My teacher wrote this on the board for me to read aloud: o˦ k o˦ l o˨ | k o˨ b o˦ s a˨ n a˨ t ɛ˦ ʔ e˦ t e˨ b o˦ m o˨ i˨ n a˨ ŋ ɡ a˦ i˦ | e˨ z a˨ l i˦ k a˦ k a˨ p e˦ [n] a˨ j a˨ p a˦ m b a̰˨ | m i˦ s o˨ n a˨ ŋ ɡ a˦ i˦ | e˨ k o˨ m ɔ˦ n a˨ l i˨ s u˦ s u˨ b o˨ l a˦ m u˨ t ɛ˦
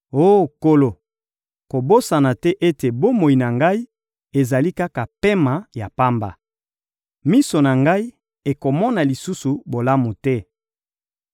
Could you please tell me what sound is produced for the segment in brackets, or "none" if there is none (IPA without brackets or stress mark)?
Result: m